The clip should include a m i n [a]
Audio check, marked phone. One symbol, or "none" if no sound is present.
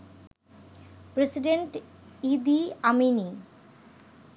i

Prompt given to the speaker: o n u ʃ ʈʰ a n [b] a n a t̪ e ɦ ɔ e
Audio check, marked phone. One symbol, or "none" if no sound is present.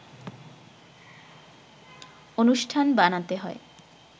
b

